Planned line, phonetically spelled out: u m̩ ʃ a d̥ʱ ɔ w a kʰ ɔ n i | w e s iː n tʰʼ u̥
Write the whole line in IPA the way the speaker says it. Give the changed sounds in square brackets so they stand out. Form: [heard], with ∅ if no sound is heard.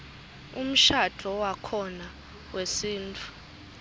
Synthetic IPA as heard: u m̩ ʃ a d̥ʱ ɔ w a kʰ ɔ n [a] | w e s iː n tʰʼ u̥